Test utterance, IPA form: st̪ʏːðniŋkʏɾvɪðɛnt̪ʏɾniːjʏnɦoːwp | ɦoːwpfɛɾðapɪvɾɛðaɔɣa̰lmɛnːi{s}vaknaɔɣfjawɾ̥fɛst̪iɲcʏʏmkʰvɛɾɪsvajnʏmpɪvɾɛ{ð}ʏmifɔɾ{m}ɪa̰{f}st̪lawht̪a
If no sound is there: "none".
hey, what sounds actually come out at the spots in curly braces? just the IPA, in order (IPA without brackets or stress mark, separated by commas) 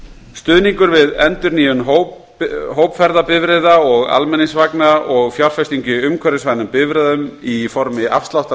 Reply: s, ð, m, f